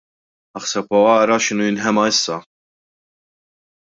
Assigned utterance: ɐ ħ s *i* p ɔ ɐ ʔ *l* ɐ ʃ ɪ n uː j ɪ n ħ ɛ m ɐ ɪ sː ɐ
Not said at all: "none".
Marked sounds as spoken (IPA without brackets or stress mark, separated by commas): ɛ, ɾ